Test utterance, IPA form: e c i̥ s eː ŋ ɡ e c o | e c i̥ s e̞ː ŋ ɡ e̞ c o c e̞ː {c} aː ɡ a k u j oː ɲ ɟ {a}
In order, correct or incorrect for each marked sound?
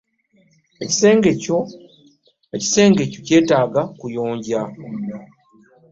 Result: incorrect: t, correct

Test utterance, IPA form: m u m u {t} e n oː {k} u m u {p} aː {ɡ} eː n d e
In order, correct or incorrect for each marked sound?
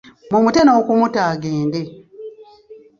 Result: correct, correct, incorrect: t, correct

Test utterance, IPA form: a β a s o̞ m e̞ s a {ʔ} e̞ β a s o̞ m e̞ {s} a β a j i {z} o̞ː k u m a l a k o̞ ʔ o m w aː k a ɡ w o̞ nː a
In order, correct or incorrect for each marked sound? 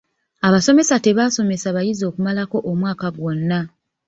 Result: incorrect: t, correct, correct

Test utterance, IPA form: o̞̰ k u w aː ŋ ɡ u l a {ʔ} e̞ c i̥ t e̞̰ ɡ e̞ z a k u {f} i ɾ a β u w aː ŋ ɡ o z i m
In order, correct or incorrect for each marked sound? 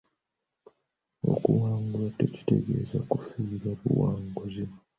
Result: incorrect: t, correct

